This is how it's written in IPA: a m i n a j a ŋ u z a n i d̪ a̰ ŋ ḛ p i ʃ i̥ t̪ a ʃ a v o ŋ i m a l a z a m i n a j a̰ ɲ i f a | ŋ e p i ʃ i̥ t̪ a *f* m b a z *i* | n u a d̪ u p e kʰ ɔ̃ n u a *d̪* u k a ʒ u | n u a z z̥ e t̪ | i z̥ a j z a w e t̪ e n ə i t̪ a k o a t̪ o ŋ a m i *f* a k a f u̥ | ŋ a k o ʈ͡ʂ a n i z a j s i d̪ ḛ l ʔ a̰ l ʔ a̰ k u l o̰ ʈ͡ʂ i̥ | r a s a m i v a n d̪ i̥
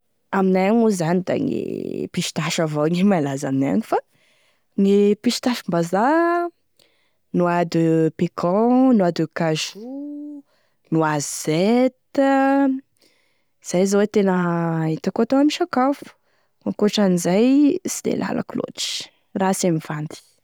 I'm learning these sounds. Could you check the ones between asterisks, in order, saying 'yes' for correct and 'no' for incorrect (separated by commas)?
no, no, yes, no